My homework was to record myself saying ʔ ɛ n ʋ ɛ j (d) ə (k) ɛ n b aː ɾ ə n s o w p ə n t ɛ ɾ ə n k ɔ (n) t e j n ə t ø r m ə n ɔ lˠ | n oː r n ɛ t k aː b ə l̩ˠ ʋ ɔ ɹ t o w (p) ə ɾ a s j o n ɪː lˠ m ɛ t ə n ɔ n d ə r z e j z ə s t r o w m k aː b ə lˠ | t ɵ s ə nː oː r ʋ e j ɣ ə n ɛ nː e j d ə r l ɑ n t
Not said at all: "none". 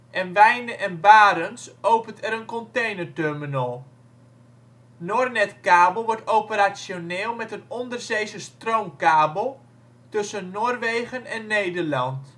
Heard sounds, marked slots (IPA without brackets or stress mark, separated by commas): n, ʔ, n, p